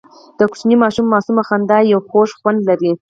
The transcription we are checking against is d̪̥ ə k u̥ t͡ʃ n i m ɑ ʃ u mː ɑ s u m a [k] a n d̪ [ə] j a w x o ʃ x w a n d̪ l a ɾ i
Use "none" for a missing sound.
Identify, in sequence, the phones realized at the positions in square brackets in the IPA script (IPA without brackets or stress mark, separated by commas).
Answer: x, ɑ